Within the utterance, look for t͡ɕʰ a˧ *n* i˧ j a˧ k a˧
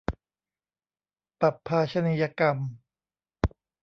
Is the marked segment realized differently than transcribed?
no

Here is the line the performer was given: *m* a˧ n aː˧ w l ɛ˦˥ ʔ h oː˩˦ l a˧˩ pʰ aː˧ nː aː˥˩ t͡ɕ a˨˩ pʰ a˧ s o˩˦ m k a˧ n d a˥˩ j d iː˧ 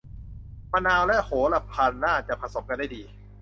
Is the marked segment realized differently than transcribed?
no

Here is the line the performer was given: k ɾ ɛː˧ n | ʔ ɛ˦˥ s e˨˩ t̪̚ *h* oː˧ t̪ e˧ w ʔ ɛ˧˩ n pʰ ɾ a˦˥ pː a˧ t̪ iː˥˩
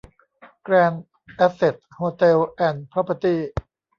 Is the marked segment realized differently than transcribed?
no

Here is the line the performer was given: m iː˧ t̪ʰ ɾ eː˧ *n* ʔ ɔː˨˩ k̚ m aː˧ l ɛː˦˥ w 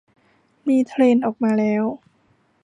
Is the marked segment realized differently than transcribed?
no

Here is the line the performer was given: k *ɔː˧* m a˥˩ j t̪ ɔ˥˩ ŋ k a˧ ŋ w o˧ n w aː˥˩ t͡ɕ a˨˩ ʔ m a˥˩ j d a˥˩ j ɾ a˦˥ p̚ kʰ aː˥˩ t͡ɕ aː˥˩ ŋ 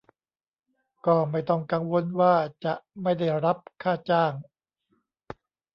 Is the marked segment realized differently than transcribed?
yes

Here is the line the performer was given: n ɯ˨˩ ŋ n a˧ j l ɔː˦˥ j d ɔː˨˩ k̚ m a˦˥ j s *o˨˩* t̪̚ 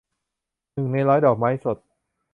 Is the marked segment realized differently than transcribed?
no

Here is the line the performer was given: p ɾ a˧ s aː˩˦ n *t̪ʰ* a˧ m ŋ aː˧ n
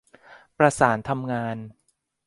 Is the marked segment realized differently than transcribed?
no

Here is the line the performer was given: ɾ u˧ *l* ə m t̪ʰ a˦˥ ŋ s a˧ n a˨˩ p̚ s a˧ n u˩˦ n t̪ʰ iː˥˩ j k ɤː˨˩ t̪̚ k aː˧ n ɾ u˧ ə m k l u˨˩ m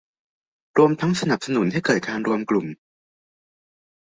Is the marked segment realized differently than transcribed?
yes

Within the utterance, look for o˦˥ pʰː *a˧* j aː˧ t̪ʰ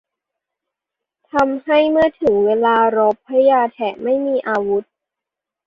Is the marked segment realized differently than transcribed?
yes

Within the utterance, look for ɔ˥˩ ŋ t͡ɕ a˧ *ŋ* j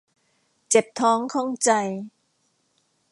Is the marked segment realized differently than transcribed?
yes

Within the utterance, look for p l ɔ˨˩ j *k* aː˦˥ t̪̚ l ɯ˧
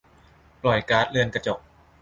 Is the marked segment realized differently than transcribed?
no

